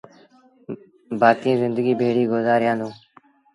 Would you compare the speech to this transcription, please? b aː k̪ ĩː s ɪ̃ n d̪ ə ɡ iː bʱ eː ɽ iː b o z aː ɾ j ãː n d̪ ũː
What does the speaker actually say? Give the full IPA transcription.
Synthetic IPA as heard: b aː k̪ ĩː z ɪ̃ n d̪ ə ɡ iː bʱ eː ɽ iː ɡ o z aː ɾ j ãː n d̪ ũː